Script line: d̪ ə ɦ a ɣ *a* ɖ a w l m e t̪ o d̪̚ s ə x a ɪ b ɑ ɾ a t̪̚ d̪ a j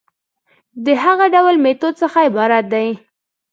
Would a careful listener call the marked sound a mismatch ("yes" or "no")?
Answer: no